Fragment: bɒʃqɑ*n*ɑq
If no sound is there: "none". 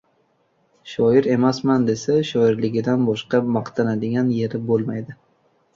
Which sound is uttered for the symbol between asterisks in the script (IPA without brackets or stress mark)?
m